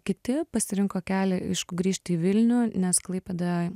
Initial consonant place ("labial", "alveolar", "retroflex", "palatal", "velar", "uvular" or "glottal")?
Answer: velar